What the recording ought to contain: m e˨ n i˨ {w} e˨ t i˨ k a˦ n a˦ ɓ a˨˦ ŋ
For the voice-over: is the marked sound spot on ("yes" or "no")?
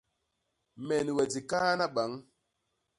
yes